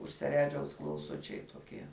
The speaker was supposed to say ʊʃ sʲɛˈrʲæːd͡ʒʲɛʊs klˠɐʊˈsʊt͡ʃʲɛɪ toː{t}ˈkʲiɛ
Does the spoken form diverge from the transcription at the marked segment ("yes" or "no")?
yes